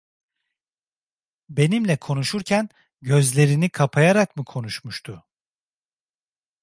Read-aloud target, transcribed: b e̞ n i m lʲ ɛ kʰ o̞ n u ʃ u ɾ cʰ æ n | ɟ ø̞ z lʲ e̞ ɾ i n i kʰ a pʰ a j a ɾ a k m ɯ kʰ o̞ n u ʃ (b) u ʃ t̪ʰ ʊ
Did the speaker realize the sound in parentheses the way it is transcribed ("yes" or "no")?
no